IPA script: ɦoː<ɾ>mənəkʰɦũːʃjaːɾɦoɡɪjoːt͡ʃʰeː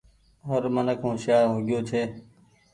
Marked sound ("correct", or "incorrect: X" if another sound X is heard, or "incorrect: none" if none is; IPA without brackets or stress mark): correct